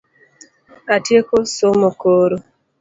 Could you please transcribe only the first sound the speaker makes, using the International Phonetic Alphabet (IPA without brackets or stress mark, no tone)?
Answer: a